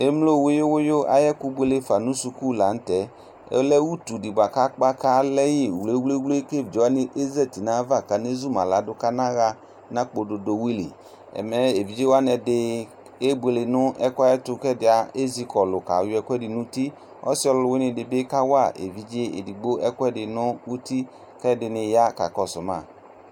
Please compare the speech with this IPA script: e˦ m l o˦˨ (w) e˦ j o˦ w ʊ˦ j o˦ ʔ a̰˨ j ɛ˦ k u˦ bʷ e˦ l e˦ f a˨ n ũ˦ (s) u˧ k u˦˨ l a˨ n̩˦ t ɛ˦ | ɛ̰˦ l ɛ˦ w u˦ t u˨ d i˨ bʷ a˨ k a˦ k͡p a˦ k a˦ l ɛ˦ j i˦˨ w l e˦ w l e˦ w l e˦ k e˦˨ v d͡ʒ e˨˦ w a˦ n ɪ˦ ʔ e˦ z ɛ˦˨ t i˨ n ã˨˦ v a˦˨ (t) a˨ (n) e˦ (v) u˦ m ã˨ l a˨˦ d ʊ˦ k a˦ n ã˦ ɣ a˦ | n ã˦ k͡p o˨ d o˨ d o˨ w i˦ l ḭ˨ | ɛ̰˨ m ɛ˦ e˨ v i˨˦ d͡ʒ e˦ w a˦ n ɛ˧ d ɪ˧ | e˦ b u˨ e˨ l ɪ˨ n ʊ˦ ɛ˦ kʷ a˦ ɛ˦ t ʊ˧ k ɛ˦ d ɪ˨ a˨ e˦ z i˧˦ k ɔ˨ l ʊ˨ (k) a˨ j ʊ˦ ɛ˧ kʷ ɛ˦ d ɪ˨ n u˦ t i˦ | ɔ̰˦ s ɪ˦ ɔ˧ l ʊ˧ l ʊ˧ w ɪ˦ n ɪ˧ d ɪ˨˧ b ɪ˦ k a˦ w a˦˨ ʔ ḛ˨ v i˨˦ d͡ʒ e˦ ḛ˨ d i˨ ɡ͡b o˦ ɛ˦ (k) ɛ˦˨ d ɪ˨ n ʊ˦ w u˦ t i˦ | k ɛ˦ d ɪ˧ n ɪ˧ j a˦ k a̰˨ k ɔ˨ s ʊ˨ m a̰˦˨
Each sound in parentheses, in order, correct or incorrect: correct, correct, incorrect: k, correct, incorrect: z, correct, correct

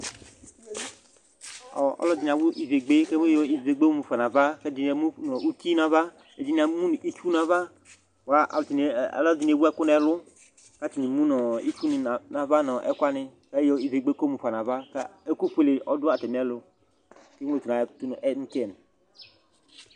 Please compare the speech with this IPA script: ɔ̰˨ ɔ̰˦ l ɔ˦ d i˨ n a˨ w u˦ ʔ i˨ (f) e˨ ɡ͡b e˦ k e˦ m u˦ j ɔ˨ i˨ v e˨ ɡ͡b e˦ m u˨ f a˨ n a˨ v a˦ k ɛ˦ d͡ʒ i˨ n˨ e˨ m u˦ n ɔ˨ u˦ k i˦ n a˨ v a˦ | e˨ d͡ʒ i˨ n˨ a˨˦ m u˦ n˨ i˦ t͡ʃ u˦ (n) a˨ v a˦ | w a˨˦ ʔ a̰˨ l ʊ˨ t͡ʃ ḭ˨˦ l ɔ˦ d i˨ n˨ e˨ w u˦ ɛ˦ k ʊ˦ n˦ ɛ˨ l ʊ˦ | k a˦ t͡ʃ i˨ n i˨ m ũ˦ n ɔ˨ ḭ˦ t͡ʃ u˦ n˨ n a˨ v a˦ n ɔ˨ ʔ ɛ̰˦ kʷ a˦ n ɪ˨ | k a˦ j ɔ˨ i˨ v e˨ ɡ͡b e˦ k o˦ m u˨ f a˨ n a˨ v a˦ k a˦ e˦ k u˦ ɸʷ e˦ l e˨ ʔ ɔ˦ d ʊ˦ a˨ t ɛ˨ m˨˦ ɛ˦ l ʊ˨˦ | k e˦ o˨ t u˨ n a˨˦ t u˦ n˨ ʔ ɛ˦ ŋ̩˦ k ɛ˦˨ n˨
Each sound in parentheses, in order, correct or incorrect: incorrect: v, correct

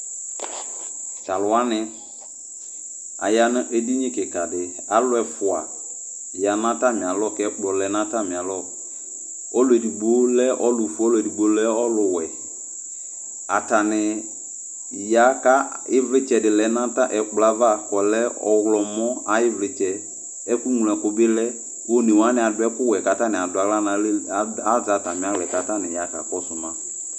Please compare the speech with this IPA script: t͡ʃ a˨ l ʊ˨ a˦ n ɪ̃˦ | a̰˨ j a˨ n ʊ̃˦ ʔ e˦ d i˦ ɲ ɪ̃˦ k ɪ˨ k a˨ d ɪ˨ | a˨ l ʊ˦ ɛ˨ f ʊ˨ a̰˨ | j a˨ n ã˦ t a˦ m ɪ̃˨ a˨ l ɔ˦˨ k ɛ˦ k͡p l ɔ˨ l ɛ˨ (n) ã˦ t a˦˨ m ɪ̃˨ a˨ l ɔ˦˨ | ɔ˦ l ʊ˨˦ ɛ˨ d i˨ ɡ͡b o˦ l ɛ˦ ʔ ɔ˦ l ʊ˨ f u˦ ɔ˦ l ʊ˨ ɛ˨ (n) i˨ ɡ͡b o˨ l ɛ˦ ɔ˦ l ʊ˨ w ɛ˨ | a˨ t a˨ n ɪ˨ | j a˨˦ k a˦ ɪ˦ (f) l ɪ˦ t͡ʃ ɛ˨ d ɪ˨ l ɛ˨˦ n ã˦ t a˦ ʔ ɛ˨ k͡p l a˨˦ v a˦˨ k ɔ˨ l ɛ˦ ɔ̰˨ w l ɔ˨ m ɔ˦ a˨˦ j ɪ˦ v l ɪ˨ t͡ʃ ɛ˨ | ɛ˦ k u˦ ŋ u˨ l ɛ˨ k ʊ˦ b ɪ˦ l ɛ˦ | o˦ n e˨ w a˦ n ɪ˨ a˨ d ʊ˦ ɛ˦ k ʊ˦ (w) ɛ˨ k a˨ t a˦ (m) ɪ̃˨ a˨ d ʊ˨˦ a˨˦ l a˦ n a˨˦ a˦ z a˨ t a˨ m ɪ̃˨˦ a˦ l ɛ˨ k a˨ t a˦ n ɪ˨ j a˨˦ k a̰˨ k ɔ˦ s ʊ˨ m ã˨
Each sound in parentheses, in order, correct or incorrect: correct, incorrect: d, incorrect: v, correct, incorrect: n

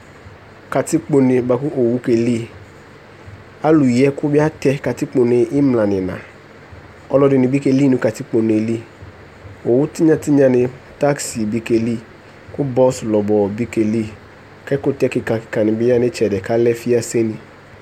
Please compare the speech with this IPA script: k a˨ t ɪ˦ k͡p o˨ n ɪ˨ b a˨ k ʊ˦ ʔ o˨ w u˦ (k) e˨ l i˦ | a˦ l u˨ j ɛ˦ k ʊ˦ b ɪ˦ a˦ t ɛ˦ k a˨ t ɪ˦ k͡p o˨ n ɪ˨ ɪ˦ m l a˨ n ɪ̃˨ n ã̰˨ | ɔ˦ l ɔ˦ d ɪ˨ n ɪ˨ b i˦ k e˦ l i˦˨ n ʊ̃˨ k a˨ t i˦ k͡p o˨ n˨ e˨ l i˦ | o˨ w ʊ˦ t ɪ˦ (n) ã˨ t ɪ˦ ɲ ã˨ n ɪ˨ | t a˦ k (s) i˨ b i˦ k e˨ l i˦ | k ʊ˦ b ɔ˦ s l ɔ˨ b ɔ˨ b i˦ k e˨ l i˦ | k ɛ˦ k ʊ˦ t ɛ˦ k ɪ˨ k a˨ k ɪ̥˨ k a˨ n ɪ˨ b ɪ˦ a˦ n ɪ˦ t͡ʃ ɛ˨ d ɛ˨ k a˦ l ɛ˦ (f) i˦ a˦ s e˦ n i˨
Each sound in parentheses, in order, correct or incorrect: correct, incorrect: ɲ, correct, correct

